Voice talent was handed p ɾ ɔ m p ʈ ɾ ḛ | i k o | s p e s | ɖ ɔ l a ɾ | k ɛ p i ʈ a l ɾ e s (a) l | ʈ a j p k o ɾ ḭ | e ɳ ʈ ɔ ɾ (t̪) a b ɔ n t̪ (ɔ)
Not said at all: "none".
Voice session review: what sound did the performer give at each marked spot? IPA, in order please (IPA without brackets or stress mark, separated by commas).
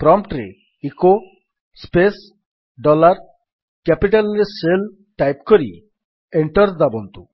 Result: e, d̪, u